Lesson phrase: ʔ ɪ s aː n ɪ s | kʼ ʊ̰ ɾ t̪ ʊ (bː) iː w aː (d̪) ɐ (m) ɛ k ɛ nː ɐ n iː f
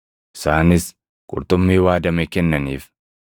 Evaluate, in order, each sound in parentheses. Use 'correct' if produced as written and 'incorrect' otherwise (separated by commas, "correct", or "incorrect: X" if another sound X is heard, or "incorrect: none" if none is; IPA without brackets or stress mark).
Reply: incorrect: mː, correct, correct